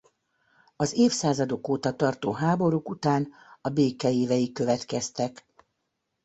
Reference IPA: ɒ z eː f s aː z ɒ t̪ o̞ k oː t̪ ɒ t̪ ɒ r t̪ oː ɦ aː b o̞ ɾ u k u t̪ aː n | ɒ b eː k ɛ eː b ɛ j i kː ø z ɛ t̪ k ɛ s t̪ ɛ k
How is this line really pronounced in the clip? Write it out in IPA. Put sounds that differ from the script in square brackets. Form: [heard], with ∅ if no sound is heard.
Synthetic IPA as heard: ɒ z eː f s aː z ɒ [d̪] o̞ k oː t̪ ɒ t̪ ɒ r t̪ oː ɦ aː b o̞ ɾ u k u t̪ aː n | ɒ b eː k ɛ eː [v] ɛ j i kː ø [v] ɛ t̪ k ɛ s t̪ ɛ k

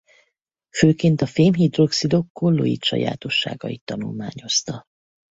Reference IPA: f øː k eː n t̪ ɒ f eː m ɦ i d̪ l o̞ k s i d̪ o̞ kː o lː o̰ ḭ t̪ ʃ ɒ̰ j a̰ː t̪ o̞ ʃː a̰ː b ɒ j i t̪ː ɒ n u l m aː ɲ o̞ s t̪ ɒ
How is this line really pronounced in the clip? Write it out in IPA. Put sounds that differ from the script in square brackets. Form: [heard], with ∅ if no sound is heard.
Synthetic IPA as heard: f øː k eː n t̪ ɒ f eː m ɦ i d̪ [r] o̞ k s i d̪ o̞ kː o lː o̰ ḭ t̪ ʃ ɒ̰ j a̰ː t̪ o̞ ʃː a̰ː [ɡ] ɒ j i t̪ː ɒ n u l m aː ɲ o̞ s t̪ ɒ

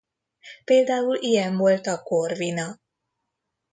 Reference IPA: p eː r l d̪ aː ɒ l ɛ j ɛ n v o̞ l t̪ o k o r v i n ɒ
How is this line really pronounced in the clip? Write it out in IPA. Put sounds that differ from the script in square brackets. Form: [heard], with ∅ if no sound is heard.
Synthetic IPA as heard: p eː [∅] l d̪ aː [u] l [i] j ɛ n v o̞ l t̪ [ɒ] k o r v i n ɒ

